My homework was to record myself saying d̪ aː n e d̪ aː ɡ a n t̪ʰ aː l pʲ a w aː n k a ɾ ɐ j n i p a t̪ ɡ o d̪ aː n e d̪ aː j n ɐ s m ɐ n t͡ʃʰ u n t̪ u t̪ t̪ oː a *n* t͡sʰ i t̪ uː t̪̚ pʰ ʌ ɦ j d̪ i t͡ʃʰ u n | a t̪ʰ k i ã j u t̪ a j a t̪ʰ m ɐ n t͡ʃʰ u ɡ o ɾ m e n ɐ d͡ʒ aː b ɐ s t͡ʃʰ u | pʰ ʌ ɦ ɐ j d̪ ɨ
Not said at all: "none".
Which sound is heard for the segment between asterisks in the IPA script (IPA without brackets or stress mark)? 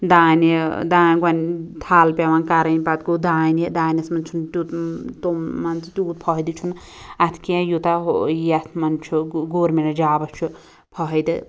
n